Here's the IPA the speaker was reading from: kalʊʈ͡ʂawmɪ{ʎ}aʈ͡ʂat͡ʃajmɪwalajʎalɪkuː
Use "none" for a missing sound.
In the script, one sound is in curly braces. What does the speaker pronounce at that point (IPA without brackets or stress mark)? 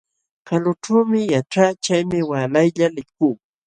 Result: j